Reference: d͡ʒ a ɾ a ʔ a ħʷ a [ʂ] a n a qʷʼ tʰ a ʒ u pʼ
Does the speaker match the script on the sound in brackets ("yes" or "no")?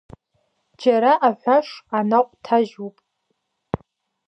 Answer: yes